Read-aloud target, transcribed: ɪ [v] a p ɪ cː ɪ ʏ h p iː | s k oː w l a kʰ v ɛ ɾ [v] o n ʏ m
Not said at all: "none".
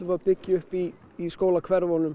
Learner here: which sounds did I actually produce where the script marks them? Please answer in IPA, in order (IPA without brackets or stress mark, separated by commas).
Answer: v, v